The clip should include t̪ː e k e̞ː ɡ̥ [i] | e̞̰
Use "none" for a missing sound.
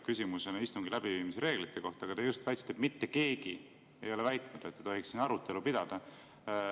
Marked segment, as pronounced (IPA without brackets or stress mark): i